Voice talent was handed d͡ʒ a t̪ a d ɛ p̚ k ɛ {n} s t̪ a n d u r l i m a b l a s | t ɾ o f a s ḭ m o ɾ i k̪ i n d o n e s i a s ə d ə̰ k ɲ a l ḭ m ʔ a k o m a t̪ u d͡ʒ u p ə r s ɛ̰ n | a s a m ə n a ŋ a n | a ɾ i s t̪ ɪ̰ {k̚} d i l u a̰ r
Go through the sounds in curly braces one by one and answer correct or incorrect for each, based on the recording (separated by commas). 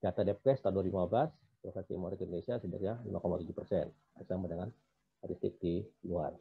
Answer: incorrect, correct